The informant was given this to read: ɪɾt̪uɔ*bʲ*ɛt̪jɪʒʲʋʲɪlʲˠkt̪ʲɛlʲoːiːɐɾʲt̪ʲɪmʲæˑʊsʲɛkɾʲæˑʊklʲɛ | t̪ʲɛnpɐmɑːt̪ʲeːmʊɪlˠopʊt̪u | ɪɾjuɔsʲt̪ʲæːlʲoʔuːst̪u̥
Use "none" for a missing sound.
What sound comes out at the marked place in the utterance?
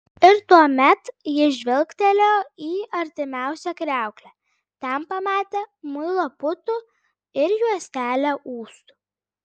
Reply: mʲ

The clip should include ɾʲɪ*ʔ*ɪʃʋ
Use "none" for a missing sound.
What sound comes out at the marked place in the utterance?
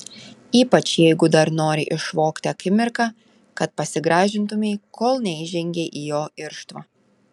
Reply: ʔ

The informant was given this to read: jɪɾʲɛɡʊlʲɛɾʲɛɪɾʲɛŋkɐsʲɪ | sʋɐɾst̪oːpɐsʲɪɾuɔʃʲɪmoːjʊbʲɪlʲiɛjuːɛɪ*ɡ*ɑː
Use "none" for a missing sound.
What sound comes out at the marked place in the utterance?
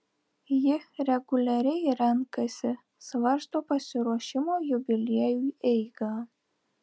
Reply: ɡ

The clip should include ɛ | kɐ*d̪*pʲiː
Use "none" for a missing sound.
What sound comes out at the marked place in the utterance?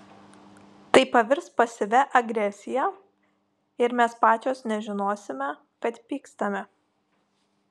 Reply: t̪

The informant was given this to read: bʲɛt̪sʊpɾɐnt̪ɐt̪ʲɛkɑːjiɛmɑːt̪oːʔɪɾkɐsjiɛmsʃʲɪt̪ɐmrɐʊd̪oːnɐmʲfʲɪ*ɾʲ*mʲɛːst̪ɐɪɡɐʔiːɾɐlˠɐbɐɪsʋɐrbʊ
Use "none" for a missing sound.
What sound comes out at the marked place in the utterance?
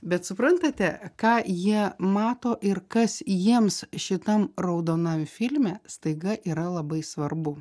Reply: lʲ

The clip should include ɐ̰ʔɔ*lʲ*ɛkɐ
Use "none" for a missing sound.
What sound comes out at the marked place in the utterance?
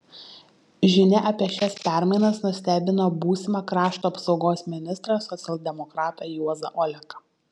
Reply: lʲ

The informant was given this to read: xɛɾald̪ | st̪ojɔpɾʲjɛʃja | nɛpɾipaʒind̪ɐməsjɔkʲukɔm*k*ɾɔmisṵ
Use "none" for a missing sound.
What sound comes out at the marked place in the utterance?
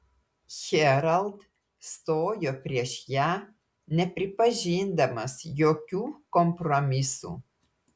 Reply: p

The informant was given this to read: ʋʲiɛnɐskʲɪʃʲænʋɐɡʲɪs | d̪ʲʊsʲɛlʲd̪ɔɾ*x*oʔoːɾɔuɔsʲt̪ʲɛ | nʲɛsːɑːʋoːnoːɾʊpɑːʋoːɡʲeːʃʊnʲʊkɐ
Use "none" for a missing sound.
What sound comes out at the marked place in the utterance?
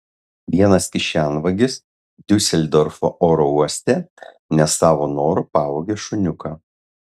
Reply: f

